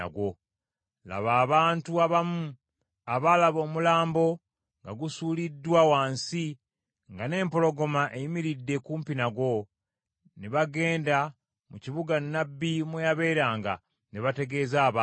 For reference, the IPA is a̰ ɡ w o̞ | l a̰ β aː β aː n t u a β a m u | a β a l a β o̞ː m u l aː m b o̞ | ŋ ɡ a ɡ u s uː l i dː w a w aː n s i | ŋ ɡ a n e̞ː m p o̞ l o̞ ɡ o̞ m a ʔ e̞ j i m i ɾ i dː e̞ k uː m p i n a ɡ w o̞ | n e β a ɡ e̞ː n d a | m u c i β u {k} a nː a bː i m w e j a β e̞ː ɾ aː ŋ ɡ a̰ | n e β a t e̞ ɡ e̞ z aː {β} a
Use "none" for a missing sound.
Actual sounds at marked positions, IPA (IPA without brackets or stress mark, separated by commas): ɡ, β